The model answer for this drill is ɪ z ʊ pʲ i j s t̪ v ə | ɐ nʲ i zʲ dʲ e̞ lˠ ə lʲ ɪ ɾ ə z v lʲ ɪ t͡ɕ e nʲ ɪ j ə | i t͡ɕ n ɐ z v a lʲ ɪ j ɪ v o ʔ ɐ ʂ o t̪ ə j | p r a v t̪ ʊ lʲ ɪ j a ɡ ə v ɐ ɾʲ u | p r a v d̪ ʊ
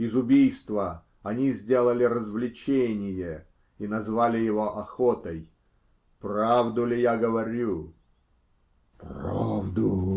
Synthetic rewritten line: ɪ z ʊ bʲ i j s t̪ v ə | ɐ nʲ i zʲ dʲ e̞ lˠ ə lʲ ɪ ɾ ə z v lʲ ɪ t͡ɕ e nʲ ɪ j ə | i n ɐ z v a lʲ ɪ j ɪ v o ʔ ɐ x o t̪ ə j | p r a v d̪ ʊ lʲ ɪ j a ɡ ə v ɐ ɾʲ u | p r a v d̪ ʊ